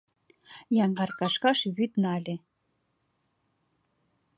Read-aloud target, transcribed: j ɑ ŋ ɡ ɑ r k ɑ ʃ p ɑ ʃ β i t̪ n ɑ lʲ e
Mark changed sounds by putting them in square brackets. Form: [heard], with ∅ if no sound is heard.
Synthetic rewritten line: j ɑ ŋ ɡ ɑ r k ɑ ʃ [k] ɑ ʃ β [y] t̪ n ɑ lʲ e